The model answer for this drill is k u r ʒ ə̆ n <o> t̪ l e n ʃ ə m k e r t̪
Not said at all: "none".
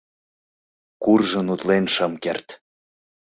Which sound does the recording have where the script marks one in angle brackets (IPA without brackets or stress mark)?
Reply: u